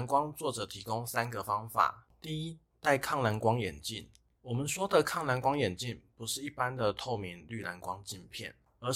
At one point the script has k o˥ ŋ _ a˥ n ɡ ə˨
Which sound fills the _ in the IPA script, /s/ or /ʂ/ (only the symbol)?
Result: s